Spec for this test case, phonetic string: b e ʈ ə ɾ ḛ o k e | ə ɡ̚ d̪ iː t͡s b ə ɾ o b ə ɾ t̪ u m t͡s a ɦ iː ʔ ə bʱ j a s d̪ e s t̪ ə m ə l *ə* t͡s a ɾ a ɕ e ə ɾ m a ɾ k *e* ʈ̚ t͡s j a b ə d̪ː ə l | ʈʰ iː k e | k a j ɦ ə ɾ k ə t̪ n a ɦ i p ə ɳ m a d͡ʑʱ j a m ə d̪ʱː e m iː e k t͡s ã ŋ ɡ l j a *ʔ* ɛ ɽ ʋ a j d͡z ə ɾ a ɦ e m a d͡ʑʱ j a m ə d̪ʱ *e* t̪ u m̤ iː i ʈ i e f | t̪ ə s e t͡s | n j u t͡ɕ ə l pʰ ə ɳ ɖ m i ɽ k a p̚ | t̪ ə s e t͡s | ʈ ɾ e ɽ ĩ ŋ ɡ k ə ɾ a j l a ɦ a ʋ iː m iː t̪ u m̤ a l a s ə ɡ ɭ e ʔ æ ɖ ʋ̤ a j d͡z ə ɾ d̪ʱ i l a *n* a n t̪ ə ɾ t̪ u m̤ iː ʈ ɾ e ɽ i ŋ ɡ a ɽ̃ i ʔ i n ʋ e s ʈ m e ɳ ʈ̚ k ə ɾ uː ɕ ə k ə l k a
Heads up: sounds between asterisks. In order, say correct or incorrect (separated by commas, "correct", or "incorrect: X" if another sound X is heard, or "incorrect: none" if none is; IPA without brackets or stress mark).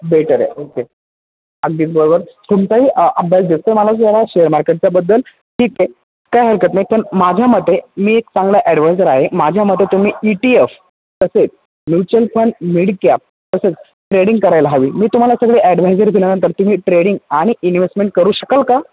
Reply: incorrect: a, correct, correct, correct, correct